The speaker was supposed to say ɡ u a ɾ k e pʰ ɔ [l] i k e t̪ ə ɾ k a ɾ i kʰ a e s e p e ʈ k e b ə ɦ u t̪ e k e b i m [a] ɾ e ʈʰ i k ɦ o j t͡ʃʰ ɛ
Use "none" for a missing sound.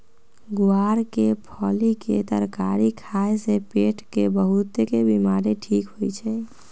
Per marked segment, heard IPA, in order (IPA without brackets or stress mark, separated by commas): l, a